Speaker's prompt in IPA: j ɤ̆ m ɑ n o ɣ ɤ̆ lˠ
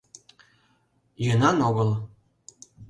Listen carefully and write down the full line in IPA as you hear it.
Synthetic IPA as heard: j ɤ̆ n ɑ n o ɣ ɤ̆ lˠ